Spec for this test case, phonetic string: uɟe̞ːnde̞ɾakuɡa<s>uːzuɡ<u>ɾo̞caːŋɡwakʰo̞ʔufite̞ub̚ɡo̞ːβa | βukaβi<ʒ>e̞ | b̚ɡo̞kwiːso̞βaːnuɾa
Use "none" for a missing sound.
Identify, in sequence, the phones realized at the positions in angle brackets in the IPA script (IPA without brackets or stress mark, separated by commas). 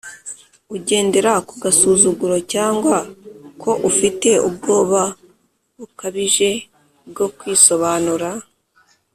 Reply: s, u, ʒ